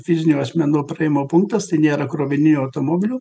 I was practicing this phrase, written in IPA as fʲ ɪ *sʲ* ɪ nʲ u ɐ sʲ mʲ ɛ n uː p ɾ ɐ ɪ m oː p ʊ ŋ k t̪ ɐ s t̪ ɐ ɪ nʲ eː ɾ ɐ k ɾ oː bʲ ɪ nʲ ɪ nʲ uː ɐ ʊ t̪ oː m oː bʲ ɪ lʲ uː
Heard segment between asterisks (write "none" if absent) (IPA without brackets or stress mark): zʲ